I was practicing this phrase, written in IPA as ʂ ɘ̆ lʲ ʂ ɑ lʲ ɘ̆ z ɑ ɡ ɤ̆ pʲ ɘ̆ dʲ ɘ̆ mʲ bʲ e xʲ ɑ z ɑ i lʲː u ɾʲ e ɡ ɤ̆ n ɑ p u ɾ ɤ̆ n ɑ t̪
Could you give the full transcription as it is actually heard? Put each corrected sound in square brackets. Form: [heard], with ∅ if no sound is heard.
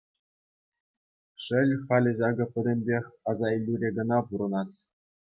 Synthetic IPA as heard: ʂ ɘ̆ lʲ [χ] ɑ lʲ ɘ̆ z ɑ ɡ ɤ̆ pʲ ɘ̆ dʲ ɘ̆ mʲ bʲ e xʲ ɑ z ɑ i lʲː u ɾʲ e ɡ ɤ̆ n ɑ p u ɾ ɤ̆ n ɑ t̪

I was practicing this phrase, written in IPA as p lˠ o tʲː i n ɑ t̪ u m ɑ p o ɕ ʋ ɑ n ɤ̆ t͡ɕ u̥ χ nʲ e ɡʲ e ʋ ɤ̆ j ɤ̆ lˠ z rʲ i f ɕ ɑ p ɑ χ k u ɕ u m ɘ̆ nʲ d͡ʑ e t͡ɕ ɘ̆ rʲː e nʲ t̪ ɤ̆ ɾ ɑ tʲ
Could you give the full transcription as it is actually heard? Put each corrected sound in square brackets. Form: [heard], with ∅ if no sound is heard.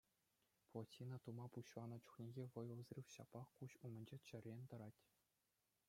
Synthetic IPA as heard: p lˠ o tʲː i n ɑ t̪ u m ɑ p [u] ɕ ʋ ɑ n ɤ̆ t͡ɕ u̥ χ nʲ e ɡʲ e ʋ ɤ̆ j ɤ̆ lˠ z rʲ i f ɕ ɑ p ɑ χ k u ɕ u m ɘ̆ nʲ d͡ʑ e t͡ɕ ɘ̆ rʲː e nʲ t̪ ɤ̆ ɾ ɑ tʲ

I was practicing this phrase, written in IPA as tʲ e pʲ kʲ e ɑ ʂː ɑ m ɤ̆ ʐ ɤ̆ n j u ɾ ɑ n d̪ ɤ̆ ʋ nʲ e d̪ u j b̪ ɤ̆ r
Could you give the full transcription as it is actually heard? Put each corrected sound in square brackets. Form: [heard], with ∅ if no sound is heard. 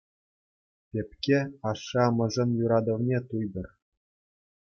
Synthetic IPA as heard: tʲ e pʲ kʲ e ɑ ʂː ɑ m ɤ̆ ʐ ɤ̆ n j u ɾ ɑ [∅] d̪ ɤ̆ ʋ nʲ e [t̪] u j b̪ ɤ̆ r

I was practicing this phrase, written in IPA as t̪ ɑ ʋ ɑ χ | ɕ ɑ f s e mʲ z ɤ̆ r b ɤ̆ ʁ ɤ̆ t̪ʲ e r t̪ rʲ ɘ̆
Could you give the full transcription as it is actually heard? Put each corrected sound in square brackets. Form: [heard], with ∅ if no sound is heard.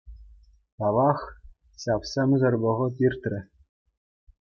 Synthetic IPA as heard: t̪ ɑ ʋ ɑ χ | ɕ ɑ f s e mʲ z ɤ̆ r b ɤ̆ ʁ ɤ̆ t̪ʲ [i] r t̪ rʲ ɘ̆

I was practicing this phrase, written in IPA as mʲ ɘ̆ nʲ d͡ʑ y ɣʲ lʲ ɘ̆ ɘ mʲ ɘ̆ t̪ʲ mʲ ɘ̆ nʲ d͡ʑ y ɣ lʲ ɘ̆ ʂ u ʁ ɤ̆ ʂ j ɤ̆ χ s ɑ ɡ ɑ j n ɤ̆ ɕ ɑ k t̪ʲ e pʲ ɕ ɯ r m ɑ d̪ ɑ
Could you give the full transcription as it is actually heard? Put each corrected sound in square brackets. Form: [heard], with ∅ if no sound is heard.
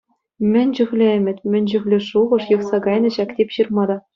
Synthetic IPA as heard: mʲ ɘ̆ nʲ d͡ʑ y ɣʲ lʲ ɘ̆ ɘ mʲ ɘ̆ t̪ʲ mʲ ɘ̆ nʲ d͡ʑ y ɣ lʲ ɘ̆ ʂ u ʁ ɤ̆ ʂ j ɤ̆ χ s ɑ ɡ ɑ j n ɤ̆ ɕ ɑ k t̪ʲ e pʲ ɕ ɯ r m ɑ d̪ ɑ

